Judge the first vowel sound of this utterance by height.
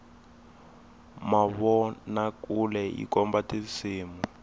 low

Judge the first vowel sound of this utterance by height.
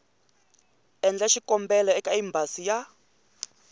mid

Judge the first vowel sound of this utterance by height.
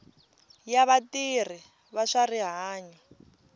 low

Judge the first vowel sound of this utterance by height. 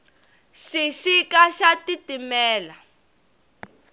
high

